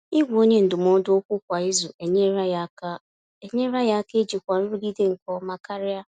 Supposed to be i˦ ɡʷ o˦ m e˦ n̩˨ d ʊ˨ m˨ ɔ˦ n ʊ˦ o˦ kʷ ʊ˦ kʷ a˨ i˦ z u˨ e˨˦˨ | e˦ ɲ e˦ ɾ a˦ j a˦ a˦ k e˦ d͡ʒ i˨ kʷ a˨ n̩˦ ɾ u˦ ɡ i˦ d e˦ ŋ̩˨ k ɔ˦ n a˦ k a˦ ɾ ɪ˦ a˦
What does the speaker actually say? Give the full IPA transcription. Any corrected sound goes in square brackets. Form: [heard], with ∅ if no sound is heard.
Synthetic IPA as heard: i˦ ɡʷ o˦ [ɲ] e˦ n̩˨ d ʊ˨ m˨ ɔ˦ [d] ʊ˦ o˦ kʷ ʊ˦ kʷ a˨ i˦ z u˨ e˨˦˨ | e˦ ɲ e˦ ɾ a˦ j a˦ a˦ k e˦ d͡ʒ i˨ kʷ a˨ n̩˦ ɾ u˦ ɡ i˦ d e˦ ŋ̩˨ k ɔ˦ [m] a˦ k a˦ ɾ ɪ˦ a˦